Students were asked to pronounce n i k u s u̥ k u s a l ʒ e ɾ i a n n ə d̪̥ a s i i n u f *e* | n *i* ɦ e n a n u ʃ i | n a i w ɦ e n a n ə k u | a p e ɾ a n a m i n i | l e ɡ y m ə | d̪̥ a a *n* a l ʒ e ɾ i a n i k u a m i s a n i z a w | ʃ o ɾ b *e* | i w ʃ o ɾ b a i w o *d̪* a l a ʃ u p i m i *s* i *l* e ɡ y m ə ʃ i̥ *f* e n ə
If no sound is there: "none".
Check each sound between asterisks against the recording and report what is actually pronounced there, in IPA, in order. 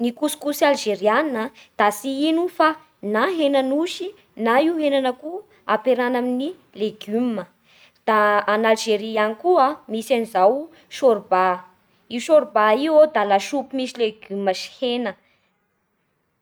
a, a, n, a, d̪, s, l, h

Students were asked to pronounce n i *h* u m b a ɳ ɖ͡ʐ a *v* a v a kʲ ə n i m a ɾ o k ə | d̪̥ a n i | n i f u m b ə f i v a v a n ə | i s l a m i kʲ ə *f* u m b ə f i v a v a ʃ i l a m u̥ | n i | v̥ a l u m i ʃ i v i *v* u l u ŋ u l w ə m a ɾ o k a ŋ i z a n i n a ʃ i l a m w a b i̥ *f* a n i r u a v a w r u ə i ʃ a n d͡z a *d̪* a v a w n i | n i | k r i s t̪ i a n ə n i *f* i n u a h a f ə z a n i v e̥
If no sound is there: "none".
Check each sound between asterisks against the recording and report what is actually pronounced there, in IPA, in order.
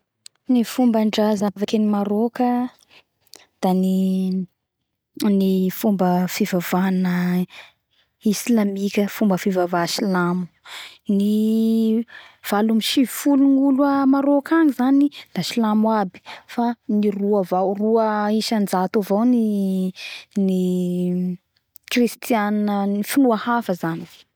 f, z, f, f, f, t̪, f

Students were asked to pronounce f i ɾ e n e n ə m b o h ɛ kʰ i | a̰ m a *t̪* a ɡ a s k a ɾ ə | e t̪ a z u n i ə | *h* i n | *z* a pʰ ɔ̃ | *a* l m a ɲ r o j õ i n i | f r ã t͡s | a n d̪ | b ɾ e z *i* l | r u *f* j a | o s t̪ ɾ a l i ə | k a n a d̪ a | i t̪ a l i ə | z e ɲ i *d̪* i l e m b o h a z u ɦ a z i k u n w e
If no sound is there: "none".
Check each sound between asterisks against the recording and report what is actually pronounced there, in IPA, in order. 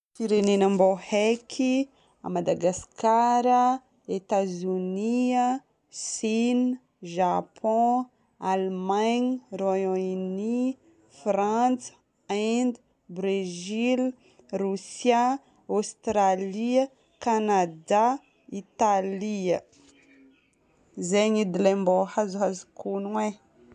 d̪, s, ʒ, a, i, s, d̪

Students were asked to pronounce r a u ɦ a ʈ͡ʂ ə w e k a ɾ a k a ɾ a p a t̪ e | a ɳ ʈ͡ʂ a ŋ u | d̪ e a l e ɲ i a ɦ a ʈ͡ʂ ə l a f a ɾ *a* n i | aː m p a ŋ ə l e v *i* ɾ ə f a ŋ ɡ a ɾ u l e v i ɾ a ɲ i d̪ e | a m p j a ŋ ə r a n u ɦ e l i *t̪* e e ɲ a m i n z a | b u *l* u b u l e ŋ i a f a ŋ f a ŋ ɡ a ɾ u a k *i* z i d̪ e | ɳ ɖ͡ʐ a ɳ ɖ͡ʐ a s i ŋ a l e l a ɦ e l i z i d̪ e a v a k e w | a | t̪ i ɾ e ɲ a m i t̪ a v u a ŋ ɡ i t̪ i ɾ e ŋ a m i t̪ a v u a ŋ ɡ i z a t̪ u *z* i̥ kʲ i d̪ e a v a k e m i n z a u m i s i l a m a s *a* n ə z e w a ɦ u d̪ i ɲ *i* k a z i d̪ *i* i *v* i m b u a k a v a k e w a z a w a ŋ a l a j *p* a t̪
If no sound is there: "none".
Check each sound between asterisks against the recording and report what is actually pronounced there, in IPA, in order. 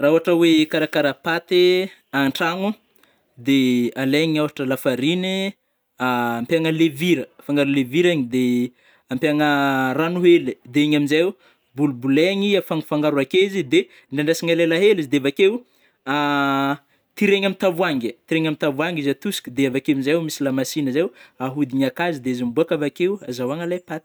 i, i, d̪, l, e, s, i, a, e, z, p

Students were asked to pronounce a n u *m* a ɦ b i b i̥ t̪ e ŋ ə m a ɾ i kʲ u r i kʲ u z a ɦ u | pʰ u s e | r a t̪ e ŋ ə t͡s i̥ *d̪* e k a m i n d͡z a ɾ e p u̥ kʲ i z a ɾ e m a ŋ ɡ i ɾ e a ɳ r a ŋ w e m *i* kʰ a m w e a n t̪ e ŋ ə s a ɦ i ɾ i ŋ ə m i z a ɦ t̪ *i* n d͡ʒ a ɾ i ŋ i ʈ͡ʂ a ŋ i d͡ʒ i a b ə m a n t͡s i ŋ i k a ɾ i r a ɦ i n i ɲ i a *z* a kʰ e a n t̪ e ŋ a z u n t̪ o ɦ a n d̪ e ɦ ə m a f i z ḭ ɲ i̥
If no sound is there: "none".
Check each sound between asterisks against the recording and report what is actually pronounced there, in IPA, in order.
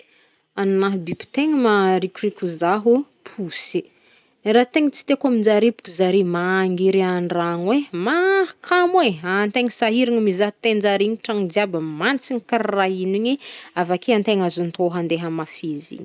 n, t̪, a, e, v

